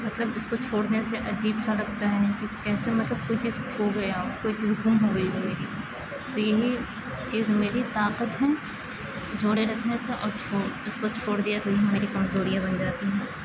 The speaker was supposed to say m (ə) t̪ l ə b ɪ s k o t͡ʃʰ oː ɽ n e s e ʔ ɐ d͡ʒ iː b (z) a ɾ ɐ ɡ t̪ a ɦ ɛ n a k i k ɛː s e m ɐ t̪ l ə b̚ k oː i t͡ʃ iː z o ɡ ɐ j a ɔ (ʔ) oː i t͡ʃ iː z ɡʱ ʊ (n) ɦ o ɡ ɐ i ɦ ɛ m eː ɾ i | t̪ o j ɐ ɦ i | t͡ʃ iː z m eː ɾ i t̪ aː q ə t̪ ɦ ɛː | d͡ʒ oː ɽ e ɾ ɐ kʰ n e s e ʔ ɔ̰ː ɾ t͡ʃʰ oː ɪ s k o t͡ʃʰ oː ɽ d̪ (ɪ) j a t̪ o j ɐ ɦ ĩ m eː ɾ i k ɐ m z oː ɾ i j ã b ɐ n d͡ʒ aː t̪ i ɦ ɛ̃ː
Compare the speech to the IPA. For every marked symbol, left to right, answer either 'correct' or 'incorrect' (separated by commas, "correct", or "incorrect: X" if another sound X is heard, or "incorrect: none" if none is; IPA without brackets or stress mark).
incorrect: ɐ, incorrect: s, incorrect: k, incorrect: m, incorrect: i